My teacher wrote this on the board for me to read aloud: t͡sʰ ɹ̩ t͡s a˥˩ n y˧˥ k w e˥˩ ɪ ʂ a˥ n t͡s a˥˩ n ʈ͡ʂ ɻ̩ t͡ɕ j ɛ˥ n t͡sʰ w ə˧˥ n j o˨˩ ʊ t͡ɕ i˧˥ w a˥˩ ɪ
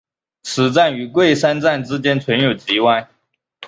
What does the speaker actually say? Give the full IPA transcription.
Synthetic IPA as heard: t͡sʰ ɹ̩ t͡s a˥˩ n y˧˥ k w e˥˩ ɪ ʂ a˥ n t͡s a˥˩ n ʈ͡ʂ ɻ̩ t͡ɕ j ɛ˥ n t͡sʰ w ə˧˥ n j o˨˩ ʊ t͡ɕ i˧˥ w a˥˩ ɪ